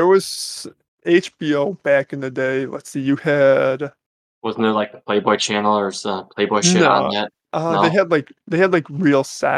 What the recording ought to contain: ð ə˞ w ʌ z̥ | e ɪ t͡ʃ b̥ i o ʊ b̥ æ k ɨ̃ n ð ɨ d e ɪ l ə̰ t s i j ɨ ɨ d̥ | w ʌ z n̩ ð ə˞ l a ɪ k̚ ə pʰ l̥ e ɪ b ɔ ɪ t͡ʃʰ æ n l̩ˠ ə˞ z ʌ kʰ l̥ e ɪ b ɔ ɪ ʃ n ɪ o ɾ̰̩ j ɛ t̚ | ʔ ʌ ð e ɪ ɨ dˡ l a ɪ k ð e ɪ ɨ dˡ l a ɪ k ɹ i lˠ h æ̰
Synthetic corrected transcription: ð ə˞ w ʌ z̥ | e ɪ t͡ʃ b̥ i o ʊ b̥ æ k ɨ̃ n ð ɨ d e ɪ l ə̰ t s i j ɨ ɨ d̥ | w ʌ z n̩ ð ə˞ l a ɪ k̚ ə pʰ l̥ e ɪ b ɔ ɪ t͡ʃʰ æ n l̩ˠ ə˞ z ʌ pʰ l̥ e ɪ b ɔ ɪ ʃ n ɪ o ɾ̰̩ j ɛ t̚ | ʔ ʌ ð e ɪ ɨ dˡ l a ɪ k ð e ɪ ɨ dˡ l a ɪ k ɹ i lˠ s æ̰